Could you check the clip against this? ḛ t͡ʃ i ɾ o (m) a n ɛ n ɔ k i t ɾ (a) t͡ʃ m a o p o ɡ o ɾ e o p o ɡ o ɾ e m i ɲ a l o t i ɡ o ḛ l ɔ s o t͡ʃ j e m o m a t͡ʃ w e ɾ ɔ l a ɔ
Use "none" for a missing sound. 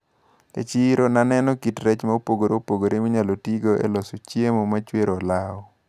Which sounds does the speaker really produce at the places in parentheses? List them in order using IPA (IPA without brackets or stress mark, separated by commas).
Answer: n, ɛ